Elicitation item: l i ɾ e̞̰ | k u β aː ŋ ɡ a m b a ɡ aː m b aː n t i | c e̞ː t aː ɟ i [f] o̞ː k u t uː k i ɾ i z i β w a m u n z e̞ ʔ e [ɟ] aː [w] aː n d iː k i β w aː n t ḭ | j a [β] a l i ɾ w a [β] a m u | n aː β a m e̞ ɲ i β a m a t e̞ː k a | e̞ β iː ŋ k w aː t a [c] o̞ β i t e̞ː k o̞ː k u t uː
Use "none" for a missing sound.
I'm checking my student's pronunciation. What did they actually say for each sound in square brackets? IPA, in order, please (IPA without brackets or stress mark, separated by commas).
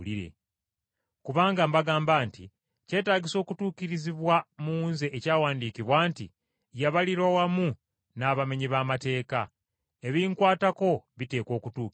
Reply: s, c, w, β, w, k